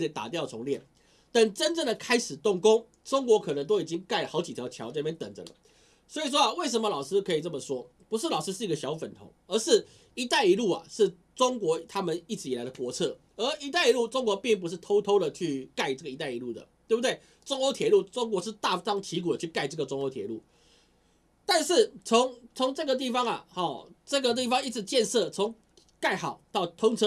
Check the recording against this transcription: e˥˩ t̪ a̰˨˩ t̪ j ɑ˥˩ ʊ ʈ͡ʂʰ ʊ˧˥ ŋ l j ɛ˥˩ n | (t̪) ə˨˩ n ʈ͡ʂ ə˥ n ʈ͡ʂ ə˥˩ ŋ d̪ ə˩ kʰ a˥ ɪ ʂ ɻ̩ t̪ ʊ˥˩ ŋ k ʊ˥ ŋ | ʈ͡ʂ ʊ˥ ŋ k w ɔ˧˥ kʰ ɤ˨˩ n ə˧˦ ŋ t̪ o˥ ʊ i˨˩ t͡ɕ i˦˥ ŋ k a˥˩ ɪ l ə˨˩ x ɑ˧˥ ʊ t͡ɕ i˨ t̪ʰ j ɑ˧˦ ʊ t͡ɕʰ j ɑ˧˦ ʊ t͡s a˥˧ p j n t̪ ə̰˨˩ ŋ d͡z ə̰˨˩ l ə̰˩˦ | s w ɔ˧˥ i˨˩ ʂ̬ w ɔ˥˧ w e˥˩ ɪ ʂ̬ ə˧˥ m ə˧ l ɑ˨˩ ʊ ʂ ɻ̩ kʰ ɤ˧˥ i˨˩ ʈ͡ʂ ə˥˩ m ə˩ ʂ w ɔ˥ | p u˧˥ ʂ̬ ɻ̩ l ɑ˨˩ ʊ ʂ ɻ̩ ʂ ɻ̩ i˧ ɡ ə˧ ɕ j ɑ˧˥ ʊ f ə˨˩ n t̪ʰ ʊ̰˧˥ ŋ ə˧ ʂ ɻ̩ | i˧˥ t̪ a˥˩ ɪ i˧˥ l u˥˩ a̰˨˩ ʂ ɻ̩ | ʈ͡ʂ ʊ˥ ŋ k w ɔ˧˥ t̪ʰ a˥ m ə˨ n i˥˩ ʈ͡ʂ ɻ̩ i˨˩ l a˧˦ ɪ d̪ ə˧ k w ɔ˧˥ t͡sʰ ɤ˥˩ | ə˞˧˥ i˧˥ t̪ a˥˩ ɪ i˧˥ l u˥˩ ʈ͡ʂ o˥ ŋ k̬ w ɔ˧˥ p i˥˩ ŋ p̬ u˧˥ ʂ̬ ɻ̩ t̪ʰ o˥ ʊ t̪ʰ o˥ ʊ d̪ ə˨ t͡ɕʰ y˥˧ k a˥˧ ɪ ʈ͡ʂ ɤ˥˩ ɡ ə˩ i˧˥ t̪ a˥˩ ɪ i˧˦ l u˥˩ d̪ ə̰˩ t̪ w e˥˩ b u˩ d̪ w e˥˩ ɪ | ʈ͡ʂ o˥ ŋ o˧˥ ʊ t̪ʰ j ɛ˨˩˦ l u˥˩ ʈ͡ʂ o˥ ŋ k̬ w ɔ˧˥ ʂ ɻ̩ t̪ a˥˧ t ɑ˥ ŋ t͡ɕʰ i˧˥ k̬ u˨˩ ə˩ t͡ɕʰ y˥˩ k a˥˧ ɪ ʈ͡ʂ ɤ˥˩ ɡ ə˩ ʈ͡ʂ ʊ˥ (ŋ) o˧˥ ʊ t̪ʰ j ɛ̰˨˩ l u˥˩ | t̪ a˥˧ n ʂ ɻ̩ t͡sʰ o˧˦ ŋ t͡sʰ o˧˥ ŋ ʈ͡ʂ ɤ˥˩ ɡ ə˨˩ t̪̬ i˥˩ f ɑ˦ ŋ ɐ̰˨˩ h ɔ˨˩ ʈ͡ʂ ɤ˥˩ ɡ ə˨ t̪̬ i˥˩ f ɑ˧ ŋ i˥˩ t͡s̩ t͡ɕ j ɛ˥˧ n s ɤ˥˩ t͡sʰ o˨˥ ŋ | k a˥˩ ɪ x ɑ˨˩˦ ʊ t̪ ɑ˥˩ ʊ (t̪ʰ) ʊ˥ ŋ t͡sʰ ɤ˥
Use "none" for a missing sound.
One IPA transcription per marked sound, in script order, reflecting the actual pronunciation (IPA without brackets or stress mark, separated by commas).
t̪, ŋ, t̪ʰ